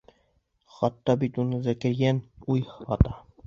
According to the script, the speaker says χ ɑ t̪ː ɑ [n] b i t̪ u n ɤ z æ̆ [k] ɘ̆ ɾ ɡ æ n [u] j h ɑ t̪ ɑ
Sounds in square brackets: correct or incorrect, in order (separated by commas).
incorrect, correct, correct